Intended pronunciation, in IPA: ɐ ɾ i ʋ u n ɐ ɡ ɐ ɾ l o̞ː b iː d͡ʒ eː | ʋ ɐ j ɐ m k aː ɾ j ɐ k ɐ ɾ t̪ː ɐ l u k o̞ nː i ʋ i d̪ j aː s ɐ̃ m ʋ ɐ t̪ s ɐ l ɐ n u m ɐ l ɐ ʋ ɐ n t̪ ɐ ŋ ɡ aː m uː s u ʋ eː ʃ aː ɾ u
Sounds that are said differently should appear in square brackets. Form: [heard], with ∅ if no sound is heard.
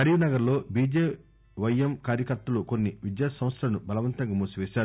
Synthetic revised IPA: ɐ ɾ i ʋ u n ɐ ɡ ɐ ɾ l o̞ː b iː d͡ʒ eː | ʋ ɐ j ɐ m k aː ɾ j ɐ k ɐ ɾ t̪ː ɐ l u k o̞ nː i ʋ i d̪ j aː s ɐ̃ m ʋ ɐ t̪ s ɐ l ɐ n u [b] ɐ l ɐ ʋ ɐ n t̪ ɐ ŋ ɡ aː m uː s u ʋ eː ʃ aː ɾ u